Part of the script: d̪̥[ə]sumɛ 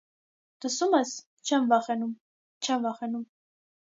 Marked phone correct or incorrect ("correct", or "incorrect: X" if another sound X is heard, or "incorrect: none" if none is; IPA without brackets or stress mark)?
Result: correct